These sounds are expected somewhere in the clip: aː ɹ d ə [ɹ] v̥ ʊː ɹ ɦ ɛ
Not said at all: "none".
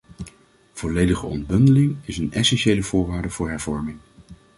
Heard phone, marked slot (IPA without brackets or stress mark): none